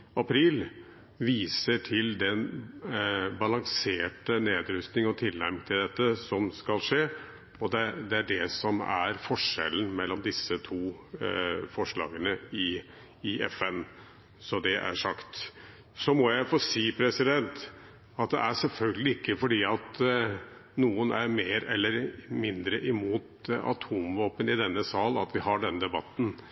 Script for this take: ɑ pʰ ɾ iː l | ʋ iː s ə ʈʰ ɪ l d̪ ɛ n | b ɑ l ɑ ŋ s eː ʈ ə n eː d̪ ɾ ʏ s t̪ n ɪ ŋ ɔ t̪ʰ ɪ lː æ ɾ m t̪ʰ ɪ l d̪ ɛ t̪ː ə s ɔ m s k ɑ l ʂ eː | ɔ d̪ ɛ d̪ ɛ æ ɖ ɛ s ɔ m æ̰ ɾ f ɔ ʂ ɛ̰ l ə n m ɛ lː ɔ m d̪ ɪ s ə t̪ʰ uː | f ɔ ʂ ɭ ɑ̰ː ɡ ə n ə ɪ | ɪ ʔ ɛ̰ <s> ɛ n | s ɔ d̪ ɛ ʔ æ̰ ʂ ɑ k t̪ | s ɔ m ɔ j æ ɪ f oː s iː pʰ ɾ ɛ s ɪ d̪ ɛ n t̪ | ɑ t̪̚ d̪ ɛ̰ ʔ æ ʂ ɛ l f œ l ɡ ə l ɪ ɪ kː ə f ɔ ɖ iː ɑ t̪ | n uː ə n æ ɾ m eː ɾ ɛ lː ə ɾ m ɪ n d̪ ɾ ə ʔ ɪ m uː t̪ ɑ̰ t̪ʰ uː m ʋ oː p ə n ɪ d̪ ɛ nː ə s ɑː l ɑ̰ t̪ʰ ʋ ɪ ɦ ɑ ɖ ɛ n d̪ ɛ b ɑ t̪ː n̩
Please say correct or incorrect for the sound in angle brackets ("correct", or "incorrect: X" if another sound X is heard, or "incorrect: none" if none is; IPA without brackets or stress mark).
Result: incorrect: f